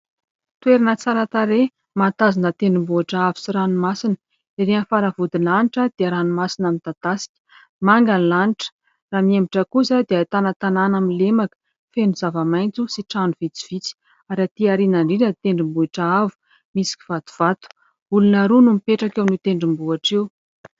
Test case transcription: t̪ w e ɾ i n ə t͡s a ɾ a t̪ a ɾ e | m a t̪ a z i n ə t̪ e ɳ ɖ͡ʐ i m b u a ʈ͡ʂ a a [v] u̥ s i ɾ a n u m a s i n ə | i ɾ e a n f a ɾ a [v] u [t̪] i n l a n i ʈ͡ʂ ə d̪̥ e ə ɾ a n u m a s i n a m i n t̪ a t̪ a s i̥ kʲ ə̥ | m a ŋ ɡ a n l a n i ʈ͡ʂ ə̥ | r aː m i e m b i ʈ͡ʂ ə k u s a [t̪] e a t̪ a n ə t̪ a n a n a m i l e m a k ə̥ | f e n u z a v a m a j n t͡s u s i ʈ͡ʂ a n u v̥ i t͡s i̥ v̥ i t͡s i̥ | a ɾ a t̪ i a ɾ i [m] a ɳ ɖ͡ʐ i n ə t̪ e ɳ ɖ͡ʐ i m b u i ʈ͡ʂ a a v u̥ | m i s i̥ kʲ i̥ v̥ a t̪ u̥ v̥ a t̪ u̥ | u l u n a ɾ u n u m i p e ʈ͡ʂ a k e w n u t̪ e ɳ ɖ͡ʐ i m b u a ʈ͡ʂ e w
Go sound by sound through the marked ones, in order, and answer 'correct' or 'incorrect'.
correct, correct, incorrect: d̪, incorrect: d̪, incorrect: n

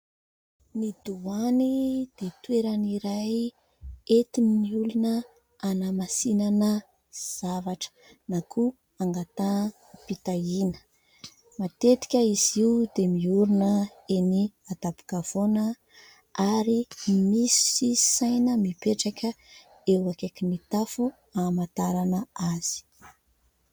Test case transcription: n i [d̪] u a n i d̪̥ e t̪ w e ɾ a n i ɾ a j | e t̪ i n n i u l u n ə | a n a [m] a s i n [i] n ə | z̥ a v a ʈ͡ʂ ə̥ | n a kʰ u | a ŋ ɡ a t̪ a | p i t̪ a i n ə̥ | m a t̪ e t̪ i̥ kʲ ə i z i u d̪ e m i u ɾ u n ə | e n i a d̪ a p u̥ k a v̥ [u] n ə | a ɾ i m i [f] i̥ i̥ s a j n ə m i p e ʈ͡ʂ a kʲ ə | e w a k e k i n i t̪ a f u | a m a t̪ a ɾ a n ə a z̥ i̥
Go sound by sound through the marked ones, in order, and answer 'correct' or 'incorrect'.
correct, correct, incorrect: a, incorrect: o, incorrect: s

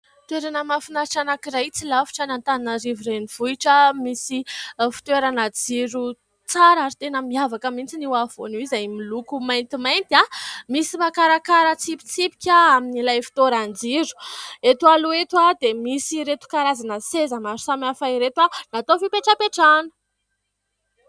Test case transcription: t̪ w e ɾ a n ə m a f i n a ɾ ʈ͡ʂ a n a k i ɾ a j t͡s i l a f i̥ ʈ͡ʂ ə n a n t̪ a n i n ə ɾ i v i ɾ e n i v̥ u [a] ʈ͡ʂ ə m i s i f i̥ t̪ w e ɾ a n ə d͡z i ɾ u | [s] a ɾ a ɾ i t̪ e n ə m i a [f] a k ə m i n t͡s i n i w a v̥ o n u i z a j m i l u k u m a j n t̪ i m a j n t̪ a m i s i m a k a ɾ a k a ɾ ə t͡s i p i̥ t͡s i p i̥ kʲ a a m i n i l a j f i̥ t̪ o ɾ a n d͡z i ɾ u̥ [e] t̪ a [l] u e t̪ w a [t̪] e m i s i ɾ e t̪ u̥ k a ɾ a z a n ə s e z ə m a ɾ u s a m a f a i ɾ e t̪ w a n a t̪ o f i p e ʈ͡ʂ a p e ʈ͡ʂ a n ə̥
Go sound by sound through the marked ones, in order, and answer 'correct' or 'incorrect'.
incorrect: i, incorrect: t͡s, incorrect: v, correct, correct, incorrect: d̪

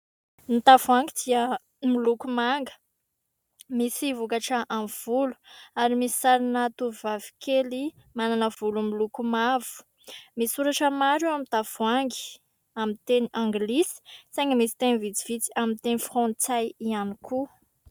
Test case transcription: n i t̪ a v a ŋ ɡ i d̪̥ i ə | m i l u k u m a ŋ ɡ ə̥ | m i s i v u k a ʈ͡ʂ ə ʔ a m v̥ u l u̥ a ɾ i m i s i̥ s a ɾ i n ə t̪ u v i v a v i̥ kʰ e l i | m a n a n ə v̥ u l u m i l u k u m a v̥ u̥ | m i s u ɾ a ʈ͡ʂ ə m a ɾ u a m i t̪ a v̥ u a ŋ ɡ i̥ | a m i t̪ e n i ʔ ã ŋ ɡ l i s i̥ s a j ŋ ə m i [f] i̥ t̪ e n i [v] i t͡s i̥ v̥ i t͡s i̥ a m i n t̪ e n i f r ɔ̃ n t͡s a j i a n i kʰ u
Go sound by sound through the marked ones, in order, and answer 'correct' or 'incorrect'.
incorrect: s, correct

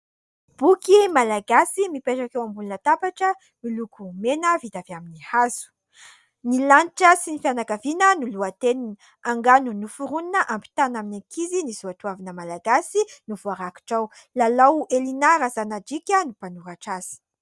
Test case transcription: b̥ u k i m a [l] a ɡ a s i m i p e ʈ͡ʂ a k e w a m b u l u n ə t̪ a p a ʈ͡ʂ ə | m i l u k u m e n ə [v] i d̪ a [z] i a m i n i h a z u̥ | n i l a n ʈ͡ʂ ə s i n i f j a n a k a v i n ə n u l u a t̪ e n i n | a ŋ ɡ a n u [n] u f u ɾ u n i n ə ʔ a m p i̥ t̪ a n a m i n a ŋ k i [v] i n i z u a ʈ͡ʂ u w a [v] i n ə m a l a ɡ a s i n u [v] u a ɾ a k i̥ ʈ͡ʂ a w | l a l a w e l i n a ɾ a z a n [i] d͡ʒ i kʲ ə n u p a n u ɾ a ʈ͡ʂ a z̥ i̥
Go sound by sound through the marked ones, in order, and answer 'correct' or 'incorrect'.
correct, correct, incorrect: v, correct, incorrect: z, correct, correct, incorrect: a

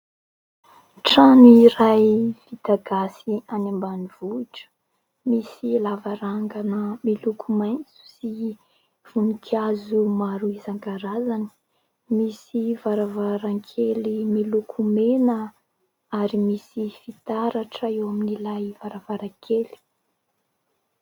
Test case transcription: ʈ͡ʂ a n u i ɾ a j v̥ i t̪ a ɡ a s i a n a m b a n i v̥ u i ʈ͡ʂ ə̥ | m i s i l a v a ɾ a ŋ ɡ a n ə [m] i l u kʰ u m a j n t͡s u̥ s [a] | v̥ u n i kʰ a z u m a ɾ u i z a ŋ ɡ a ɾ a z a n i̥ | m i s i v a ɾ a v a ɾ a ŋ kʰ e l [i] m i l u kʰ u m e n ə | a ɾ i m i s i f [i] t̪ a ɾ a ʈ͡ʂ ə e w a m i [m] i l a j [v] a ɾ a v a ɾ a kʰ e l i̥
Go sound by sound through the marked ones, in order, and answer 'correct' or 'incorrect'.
correct, incorrect: i, correct, correct, incorrect: n, correct

